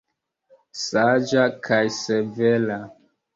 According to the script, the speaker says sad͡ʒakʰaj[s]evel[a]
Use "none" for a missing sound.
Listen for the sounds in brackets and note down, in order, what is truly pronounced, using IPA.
s, a

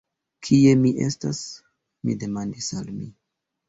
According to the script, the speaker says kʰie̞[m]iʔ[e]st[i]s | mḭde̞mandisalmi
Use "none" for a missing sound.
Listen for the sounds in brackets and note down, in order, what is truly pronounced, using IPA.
m, e, a

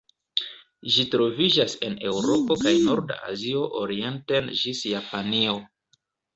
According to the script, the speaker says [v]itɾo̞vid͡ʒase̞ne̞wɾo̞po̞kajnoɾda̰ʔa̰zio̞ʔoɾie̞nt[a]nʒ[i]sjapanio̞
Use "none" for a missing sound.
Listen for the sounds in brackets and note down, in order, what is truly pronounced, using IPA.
ʒ, e, i

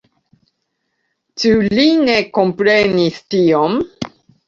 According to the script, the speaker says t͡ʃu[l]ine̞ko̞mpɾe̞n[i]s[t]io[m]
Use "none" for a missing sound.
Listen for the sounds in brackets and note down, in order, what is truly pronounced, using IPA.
l, i, t, m

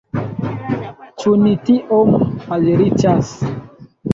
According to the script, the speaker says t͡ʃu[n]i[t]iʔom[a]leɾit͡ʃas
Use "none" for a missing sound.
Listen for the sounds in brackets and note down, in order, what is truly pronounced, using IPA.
n, t, a

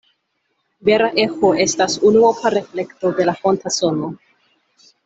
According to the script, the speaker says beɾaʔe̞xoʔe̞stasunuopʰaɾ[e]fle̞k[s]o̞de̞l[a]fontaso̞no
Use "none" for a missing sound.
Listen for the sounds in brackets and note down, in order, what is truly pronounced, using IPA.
e, t, a

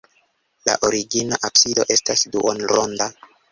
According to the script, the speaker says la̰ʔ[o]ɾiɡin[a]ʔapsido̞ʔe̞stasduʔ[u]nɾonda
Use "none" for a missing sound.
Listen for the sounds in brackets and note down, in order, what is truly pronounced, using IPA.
o, a, o

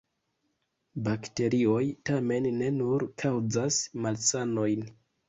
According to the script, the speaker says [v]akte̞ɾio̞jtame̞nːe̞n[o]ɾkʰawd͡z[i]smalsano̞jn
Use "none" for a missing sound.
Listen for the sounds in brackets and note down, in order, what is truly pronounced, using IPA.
b, u, a

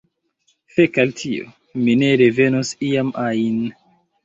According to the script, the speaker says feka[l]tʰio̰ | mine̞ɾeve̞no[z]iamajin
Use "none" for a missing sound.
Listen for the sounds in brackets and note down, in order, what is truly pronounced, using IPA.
l, s

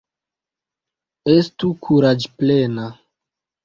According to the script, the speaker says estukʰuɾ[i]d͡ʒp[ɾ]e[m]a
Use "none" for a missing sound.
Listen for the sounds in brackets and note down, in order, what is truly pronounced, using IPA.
a, l, n

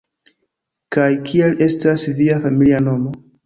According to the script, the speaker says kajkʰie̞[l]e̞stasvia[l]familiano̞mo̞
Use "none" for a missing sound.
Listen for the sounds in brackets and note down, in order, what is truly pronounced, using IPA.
l, none

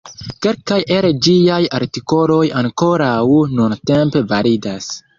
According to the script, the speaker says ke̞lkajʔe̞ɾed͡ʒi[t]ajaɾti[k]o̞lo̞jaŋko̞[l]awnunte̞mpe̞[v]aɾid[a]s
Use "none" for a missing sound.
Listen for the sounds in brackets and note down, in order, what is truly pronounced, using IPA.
none, k, ɾ, v, a

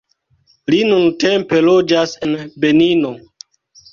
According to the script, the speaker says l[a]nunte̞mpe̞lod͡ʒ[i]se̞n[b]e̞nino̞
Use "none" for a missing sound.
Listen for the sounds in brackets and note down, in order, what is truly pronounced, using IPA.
i, a, b

